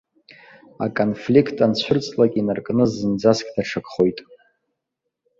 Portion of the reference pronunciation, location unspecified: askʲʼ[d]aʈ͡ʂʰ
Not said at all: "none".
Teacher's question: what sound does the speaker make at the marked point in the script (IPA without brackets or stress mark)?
d